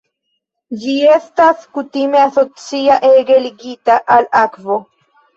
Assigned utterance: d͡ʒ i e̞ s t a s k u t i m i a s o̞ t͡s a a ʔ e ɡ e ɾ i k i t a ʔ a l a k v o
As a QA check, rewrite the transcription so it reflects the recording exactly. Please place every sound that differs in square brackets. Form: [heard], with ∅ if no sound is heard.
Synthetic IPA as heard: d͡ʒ i e̞ s t a s k u t i m [e] a s o̞ t͡s [i] a ʔ e ɡ e [l] i [ɡ] i t a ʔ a l a k v o